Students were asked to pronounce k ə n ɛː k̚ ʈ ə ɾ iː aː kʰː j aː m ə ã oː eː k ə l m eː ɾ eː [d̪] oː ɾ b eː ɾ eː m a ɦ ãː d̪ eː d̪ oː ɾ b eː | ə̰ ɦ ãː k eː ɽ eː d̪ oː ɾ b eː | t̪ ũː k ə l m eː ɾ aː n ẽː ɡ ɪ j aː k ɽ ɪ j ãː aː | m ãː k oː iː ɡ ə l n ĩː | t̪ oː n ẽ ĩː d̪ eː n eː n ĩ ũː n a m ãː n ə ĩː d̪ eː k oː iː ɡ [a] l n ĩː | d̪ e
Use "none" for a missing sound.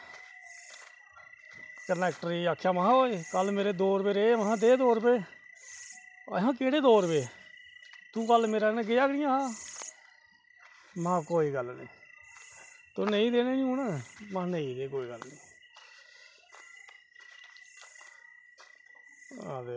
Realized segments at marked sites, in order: d̪, ə

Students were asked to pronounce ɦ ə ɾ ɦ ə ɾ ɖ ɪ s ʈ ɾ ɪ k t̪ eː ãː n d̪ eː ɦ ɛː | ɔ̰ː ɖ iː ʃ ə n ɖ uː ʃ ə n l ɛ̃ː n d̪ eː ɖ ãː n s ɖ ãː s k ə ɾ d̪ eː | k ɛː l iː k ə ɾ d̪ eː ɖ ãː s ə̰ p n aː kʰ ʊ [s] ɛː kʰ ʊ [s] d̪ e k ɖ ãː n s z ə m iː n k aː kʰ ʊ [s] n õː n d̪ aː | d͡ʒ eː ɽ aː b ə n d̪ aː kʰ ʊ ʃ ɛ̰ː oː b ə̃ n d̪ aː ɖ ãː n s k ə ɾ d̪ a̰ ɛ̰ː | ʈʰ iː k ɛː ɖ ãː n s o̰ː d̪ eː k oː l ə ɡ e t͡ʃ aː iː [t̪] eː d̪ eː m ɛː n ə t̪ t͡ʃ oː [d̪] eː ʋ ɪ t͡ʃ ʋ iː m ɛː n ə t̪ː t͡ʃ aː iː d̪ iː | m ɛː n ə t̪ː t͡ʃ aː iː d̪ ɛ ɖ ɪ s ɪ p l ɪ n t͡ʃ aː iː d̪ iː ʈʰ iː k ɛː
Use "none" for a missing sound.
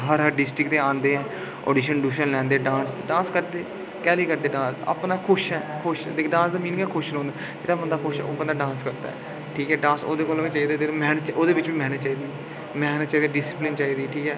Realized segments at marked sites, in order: ʃ, ʃ, ʃ, d̪, d̪

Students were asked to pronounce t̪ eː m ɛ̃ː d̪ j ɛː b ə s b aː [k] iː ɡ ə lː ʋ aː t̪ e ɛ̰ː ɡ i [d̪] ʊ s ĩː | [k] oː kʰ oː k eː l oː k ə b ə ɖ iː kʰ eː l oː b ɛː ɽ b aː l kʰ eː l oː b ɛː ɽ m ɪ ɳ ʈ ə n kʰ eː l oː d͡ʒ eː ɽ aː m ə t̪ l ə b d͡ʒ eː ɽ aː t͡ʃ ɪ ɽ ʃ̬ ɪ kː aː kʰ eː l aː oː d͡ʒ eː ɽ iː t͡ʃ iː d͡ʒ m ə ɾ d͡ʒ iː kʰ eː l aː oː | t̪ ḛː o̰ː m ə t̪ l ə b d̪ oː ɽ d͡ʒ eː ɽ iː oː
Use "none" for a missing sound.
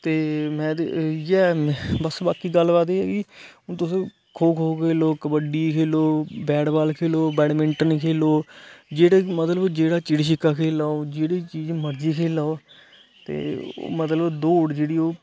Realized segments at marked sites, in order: k, t̪, kʰ

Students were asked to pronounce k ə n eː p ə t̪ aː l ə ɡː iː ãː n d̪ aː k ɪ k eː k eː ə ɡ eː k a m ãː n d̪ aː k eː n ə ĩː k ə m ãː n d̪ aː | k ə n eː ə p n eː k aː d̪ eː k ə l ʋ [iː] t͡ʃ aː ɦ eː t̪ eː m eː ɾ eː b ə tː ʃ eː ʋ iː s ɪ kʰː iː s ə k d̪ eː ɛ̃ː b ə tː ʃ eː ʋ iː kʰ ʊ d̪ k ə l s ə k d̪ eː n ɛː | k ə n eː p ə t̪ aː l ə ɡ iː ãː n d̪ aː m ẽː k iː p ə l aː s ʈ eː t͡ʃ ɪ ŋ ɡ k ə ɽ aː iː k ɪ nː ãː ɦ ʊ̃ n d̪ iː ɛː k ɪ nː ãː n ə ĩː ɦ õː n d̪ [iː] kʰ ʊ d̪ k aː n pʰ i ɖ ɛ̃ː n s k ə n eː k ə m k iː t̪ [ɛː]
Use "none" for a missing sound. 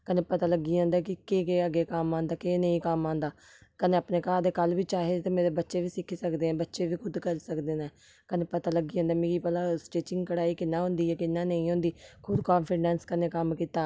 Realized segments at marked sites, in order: iː, iː, aː

